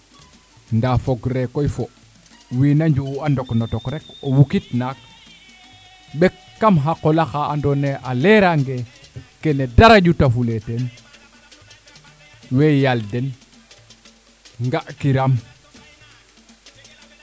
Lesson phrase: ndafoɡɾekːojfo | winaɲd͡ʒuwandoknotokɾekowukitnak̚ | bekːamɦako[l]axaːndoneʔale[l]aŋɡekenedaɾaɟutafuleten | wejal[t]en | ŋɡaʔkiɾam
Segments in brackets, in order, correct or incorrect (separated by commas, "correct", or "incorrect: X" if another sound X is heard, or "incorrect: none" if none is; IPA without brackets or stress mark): correct, incorrect: ɾ, incorrect: d